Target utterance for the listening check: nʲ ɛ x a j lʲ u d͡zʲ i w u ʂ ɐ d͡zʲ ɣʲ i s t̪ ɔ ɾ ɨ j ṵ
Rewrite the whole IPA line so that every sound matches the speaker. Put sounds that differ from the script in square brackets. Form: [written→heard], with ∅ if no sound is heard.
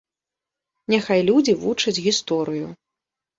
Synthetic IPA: nʲ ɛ x a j lʲ u d͡zʲ i [w→v] u [ʂ→t͡ʂ] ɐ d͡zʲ ɣʲ i s t̪ ɔ ɾ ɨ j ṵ